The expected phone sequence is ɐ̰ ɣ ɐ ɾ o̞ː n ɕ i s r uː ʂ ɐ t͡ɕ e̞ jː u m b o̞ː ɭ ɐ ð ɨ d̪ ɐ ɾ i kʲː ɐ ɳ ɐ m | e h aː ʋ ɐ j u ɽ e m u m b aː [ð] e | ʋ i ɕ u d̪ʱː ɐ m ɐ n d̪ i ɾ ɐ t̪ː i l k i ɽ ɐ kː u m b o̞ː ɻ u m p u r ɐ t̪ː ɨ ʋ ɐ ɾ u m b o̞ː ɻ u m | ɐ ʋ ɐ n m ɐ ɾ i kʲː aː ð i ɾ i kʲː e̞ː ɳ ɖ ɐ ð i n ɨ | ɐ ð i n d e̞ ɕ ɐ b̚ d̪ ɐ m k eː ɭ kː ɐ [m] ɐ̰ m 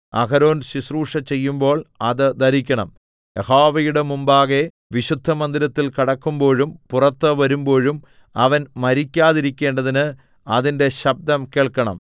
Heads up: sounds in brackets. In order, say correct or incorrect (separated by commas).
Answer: incorrect, incorrect